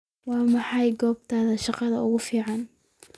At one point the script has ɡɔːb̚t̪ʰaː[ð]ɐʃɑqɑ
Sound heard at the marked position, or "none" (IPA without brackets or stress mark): ð